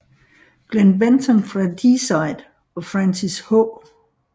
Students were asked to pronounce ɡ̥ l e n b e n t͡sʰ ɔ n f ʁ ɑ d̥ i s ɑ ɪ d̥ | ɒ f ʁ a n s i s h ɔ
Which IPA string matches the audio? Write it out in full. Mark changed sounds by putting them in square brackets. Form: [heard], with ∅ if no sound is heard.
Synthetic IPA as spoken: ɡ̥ l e n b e n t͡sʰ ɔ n f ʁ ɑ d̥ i s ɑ ɪ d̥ | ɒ f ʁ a n s i s h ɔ